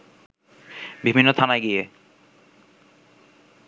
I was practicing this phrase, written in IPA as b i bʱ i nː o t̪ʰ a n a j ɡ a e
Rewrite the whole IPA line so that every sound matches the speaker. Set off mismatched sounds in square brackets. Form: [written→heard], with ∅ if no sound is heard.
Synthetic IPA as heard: b i bʱ i nː o t̪ʰ a n a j ɡ [a→i] e